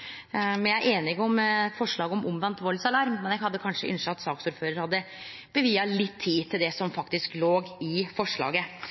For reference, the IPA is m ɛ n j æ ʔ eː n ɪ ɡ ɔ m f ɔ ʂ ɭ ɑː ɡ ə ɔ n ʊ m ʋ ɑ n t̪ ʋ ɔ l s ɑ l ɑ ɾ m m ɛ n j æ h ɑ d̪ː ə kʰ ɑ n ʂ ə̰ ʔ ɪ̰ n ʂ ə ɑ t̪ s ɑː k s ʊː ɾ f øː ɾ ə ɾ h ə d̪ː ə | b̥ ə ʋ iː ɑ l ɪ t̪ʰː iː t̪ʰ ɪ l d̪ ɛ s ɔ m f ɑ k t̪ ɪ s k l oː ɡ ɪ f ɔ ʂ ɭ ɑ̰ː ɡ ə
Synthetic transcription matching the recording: m ɛ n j æ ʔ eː n ɪ ɡ ɔ m f ɔ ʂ ɭ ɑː ɡ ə ɔ m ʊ m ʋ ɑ n t̪ ʋ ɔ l s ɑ l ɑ ɾ m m ɛ n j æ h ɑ d̪ː ə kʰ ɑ n ʂ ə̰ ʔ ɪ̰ n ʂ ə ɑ t̪ s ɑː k s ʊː ɾ f øː ɾ ə ɾ h ɑ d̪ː ə | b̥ ə ʋ iː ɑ l ɪ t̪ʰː iː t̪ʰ ɪ l d̪ ɛ s ɔ m f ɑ k t̪ ɪ s k l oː ɡ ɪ f ɔ ʂ ɭ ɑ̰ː ɡ ə